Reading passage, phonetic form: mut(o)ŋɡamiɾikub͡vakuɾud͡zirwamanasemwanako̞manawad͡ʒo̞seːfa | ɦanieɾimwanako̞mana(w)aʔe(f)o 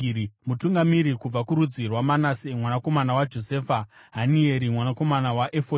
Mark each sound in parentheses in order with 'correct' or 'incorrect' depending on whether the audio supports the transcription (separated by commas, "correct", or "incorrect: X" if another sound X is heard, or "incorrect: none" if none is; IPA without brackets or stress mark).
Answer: incorrect: u, correct, correct